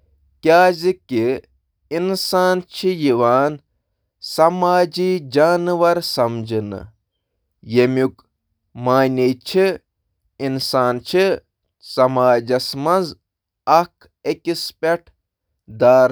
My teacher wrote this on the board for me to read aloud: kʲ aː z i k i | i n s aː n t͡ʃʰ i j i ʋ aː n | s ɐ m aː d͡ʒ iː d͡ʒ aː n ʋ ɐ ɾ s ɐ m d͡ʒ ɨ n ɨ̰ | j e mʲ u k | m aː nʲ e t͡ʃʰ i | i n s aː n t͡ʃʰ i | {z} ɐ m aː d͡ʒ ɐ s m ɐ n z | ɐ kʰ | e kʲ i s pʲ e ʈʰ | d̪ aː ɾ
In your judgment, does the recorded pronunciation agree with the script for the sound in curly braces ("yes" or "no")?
no